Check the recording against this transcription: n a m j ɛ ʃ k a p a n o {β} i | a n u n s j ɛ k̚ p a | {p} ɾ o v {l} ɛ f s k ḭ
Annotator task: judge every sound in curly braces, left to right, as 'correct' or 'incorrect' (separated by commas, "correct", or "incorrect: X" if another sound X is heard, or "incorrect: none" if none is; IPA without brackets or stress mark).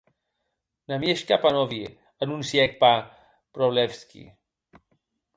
incorrect: v, correct, correct